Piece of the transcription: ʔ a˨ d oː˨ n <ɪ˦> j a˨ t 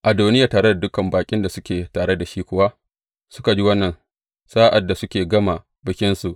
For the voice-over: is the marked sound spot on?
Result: yes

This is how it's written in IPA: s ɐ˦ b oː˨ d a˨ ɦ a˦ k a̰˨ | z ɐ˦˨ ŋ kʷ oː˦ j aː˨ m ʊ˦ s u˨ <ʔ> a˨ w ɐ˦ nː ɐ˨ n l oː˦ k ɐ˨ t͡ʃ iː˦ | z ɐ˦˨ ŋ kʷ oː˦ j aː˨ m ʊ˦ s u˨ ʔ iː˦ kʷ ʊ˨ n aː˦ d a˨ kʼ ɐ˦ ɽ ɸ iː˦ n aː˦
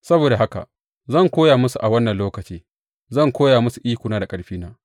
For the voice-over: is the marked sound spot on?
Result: yes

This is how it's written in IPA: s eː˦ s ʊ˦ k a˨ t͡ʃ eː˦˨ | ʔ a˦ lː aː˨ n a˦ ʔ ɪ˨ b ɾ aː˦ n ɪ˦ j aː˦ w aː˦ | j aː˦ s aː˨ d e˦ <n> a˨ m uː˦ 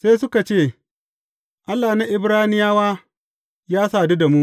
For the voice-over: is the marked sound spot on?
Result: no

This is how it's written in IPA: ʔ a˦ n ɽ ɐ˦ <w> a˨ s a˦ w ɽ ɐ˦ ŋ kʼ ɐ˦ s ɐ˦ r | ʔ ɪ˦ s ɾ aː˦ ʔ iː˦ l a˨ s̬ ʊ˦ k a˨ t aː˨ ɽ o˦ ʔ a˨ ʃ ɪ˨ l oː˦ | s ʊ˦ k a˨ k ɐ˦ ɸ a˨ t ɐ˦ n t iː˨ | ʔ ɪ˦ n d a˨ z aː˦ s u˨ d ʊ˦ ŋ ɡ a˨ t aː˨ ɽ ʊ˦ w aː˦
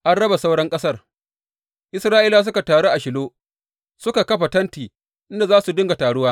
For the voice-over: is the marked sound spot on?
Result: no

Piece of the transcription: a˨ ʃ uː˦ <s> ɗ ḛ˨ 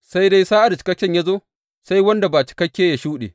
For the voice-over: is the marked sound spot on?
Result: no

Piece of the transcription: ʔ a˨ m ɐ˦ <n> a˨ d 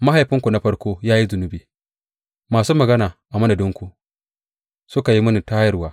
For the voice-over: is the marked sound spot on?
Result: yes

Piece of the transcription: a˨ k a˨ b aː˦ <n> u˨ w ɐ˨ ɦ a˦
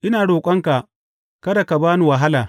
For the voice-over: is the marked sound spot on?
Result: yes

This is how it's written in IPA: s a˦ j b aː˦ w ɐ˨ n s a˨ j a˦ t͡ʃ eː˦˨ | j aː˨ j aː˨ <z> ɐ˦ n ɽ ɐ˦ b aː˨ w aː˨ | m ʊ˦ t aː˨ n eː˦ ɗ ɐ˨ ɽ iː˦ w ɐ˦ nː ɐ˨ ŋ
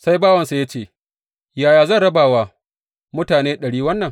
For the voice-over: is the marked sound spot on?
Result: yes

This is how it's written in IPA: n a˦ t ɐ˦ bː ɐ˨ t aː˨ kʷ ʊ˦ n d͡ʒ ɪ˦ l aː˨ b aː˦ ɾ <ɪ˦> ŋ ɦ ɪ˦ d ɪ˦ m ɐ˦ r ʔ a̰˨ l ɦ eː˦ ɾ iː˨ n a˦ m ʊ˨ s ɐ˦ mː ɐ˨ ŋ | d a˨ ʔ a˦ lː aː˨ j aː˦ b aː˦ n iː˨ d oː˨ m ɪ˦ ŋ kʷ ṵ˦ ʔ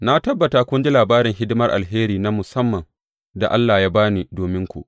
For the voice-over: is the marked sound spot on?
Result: no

